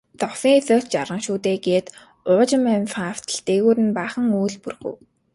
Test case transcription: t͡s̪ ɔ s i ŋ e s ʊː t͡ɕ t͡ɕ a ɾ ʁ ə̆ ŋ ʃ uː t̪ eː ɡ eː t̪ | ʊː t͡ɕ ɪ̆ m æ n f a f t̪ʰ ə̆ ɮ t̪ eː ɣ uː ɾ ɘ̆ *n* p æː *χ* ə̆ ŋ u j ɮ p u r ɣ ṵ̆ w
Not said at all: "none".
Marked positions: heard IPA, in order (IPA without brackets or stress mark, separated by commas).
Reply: n, χ